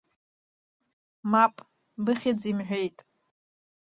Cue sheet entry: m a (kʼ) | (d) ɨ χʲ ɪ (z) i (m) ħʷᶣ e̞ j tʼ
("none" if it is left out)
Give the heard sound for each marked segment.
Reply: pʼ, b, d͡z, m

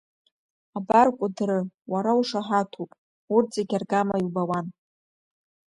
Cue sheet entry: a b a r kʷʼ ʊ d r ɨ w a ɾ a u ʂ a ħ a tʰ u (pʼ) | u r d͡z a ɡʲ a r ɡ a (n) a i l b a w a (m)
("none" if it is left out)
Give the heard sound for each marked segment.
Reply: pʼ, m, n

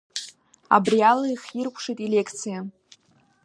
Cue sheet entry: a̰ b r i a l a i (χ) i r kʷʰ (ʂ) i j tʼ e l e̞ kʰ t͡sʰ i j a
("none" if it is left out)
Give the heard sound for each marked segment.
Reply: χ, ʂ

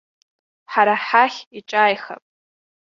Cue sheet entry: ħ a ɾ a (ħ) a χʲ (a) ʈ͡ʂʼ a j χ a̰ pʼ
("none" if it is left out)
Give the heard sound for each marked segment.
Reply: ħ, i

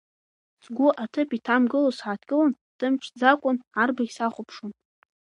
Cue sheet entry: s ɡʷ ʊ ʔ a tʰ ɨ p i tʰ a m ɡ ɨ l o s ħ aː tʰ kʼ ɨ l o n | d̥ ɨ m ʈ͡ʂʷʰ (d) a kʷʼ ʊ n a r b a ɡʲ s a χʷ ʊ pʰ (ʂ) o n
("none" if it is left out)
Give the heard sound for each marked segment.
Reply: d͡z, ʂ

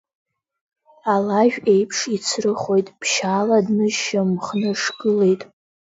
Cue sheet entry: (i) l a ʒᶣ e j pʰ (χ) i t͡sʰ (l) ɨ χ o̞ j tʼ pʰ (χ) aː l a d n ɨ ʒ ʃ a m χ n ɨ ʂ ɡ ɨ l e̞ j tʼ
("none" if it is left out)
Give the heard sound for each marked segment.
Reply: a, ʂ, r, ʃ

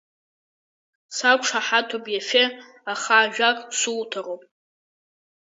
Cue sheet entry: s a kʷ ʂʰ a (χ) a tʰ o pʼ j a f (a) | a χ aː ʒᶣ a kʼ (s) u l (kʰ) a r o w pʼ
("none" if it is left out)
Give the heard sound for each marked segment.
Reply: ħ, e, s, tʰ

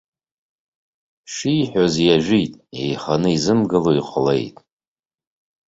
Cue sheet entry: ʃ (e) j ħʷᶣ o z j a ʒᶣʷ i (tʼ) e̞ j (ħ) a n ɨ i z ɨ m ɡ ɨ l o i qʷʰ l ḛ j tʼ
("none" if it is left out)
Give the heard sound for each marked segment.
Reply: i, tʼ, χ

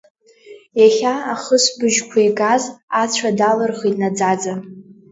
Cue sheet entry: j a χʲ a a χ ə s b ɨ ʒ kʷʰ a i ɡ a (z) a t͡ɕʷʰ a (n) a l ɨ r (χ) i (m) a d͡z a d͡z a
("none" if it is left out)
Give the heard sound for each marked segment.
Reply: z, d, χ, n

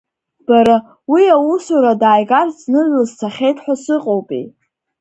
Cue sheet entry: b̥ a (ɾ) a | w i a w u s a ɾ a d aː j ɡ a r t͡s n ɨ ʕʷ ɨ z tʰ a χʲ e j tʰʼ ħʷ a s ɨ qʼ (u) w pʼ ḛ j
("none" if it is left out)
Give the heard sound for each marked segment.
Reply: ɾ, o

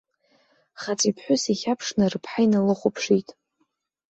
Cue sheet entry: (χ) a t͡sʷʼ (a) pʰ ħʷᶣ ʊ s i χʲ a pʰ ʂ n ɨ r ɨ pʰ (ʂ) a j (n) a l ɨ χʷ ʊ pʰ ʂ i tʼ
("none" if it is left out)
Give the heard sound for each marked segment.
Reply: χ, i, ħ, n

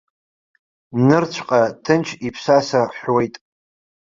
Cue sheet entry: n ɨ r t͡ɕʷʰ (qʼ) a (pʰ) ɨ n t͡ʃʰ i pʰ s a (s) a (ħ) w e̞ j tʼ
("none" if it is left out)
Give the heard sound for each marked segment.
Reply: qʼ, tʰ, s, ħ

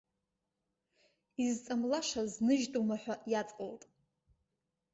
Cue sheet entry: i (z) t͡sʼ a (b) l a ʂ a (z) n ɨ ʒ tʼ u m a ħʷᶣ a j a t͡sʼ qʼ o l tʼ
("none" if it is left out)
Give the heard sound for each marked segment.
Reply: z, m, z

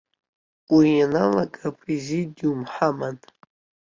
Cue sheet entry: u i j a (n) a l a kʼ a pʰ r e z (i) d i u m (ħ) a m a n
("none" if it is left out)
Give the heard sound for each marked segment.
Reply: n, i, ħ

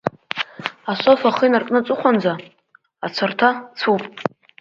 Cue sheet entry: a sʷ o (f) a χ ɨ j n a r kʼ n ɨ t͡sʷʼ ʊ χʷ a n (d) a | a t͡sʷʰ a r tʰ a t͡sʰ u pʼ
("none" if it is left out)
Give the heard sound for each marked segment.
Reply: f, d͡z

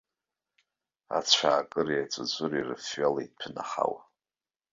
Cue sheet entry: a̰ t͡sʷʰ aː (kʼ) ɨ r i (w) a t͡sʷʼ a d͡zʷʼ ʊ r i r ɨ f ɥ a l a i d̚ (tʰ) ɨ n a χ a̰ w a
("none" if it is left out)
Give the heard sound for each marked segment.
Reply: kʼ, none, pʰ

